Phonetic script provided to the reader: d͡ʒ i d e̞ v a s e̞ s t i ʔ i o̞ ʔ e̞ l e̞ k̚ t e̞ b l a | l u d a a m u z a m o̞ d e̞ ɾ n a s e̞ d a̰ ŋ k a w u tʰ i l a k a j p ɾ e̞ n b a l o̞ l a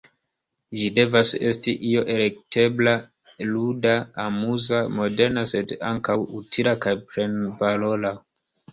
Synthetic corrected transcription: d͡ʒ i d e̞ v a s e̞ s t i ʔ i o̞ ʔ e̞ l e̞ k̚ t e̞ b l a | l u d a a m u z a m o̞ d e̞ ɾ n a s e̞ d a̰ ŋ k a w u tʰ i l a k a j p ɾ e̞ n v a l o̞ l a